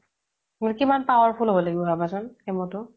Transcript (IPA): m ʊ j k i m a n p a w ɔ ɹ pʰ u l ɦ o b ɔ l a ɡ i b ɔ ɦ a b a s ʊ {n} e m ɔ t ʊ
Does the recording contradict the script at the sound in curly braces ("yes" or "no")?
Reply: no